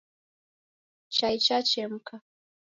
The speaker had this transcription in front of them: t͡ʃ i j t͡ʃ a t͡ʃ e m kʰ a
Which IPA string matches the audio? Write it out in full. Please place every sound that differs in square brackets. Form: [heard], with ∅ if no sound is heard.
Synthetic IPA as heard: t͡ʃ [a] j t͡ʃ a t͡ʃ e m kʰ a